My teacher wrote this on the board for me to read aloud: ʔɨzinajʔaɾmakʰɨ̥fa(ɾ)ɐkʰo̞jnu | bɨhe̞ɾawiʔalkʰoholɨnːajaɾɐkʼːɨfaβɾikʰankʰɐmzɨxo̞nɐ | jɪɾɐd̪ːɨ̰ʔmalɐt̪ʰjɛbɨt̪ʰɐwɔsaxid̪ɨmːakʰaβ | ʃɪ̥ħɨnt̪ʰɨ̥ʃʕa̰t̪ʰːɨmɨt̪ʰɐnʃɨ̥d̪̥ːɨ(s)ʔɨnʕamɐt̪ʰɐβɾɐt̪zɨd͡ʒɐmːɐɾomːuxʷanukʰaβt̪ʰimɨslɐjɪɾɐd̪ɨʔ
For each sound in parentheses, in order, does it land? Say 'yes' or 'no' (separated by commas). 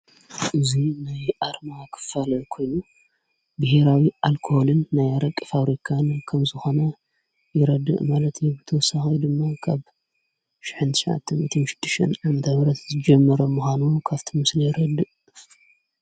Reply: no, no